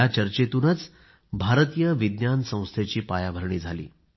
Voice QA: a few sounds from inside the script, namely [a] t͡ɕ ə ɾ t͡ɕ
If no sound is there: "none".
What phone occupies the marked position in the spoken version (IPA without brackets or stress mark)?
a